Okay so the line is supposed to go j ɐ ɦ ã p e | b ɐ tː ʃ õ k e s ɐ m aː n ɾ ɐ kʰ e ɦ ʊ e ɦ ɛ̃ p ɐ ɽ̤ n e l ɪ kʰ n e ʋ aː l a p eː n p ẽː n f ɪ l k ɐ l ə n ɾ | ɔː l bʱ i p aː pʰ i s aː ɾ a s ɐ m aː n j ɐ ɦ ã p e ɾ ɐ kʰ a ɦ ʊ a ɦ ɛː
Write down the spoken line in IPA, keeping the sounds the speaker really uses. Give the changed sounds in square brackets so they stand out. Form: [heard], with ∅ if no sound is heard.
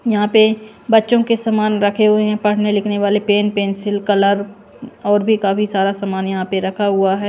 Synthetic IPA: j ɐ ɦ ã p e | b ɐ tː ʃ õ k e s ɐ m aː n ɾ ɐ kʰ e ɦ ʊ e ɦ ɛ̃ p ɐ ɽ̤ n e l ɪ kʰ n e ʋ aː l [e] p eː n p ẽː n [s] ɪ l k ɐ l ə [∅] ɾ | ɔː [ɾ] bʱ i [k] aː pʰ i s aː ɾ a s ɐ m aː n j ɐ ɦ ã p e ɾ ɐ kʰ a ɦ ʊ a ɦ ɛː